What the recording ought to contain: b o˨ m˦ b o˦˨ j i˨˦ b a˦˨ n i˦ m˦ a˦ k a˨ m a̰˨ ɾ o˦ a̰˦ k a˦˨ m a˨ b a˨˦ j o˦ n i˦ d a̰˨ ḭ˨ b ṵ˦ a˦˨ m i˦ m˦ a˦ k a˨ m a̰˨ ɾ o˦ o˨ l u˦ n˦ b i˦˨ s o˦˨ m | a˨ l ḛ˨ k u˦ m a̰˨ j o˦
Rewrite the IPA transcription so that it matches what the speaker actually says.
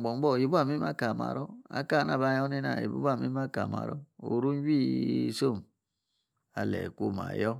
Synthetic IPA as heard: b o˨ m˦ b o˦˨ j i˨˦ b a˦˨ m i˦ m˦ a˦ k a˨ m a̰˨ ɾ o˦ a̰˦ k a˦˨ n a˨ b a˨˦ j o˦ n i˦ n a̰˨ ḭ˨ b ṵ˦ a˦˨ m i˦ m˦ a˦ k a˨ m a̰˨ ɾ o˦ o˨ ɾ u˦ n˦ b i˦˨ s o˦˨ m | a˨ l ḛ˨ k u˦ m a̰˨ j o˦